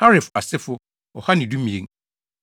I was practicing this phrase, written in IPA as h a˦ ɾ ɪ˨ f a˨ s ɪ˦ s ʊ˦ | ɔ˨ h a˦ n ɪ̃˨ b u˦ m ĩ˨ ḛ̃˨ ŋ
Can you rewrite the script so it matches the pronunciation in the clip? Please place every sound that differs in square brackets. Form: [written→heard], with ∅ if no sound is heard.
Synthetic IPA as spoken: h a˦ ɾ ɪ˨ f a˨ s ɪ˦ [s→f] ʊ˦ | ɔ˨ h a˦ n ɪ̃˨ [b→d] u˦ m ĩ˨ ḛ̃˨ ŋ